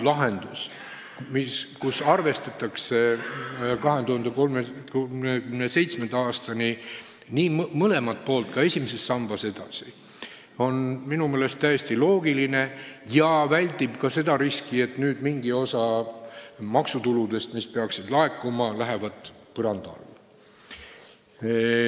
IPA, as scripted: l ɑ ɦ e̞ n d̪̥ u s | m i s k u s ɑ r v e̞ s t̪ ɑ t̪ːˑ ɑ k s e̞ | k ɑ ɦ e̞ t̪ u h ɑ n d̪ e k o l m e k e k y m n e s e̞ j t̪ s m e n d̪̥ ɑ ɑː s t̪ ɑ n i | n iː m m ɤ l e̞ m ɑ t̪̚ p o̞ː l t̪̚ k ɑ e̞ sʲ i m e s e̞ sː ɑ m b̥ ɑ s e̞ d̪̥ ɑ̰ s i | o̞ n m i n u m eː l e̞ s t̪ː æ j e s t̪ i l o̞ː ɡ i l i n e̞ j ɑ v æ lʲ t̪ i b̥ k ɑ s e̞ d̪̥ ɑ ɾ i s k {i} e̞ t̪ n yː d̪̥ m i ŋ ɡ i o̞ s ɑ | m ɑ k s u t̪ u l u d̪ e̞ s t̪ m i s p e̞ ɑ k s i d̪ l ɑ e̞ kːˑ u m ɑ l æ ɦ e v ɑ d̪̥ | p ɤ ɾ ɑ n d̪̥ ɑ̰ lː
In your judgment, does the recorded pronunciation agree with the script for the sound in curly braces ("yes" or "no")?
yes